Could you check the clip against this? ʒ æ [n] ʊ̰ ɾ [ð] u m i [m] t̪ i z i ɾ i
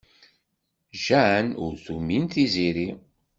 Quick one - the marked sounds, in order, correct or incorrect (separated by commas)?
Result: correct, incorrect, incorrect